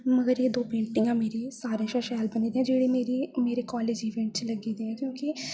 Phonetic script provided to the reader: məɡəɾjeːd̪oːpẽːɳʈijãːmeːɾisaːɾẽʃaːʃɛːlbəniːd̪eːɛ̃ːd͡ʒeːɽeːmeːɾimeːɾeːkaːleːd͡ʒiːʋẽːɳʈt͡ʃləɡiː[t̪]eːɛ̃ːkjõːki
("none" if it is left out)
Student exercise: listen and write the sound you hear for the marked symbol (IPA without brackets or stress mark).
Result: d̪